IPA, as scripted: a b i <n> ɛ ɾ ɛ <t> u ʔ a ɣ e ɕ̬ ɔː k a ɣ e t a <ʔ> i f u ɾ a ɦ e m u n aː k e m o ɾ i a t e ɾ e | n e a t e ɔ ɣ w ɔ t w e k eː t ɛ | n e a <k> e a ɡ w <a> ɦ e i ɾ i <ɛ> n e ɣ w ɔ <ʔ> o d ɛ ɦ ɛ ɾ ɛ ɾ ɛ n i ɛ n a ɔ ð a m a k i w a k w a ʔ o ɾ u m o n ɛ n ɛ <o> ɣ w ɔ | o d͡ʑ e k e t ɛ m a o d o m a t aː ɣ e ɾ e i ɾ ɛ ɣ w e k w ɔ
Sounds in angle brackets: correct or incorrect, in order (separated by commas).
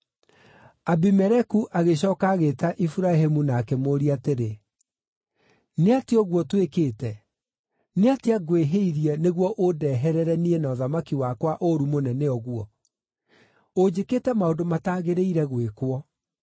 incorrect, incorrect, correct, incorrect, incorrect, correct, correct, incorrect